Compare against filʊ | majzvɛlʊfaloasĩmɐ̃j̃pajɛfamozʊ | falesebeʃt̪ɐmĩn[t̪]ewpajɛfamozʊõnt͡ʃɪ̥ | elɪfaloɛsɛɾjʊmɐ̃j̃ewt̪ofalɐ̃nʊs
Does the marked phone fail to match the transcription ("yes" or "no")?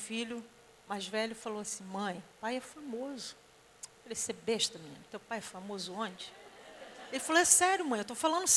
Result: no